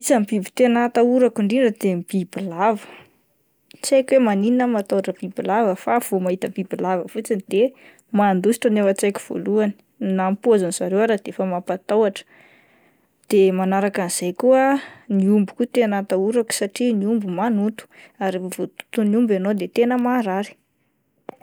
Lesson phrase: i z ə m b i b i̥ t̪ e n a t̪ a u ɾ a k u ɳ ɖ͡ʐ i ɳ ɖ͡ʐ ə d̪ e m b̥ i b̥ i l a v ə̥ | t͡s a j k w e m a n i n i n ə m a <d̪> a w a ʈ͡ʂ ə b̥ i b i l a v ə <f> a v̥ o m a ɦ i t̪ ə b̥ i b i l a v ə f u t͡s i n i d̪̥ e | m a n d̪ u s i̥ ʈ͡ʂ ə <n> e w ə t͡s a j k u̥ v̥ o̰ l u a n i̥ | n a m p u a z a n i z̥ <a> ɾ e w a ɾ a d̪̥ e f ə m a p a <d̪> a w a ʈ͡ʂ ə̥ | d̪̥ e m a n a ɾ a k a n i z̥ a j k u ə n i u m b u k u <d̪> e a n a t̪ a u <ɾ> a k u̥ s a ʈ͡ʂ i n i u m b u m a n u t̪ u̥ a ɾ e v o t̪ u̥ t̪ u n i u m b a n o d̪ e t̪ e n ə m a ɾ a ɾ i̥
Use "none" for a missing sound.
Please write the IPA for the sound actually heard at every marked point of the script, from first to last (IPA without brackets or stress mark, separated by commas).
t̪, f, n, a, t̪, t̪, ɾ